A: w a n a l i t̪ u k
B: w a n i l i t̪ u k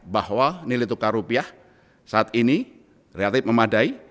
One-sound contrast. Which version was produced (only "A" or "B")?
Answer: B